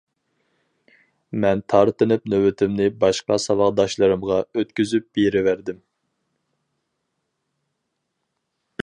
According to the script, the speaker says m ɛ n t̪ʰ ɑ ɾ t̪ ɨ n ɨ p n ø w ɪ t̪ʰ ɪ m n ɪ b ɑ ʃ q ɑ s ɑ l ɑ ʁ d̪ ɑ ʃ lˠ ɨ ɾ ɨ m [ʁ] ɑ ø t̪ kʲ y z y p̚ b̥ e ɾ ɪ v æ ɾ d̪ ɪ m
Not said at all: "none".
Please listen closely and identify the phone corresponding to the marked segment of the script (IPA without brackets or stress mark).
ʁ